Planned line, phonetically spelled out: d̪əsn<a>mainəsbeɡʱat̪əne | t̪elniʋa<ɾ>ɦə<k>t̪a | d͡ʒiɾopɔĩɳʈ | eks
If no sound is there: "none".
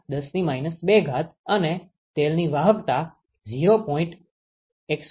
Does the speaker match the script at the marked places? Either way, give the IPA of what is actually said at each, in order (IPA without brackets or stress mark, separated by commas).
i, none, k